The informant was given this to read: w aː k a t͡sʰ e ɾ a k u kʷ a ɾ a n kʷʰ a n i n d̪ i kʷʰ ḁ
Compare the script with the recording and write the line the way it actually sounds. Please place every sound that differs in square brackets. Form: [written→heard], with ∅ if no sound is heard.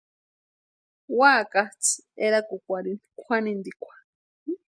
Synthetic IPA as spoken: w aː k a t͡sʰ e ɾ a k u kʷ a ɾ [a→i] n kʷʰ a n i n d̪ i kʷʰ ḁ